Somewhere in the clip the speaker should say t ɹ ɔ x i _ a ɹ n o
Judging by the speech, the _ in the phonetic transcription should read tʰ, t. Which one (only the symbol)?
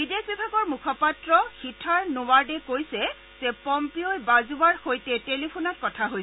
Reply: tʰ